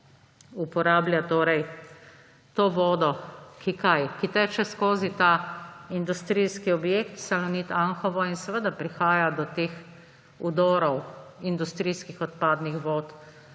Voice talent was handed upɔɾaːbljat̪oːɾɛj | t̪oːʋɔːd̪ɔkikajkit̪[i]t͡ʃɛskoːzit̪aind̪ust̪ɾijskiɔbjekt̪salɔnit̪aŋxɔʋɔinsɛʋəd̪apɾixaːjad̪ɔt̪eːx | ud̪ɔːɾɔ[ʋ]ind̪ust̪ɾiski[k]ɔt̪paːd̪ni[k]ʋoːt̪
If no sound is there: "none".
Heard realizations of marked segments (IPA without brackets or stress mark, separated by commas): ɛ, w, x, x